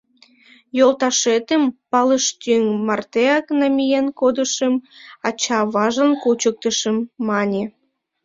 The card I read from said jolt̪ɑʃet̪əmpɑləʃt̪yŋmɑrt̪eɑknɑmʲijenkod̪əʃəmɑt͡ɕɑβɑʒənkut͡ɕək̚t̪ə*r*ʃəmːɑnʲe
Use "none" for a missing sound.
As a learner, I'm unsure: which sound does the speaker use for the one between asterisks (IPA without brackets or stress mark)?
none